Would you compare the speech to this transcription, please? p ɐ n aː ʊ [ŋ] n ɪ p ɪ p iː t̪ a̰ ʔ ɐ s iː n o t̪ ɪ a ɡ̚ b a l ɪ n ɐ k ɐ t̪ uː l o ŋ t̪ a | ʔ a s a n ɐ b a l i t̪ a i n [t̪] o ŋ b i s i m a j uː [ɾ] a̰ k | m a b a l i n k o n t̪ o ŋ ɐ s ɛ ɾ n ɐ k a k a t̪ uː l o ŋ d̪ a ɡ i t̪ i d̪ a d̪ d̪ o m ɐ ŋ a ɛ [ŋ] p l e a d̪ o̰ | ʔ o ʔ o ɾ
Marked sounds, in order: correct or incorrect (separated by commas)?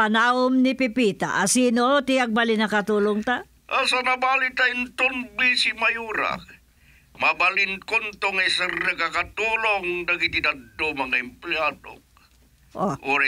incorrect, correct, correct, incorrect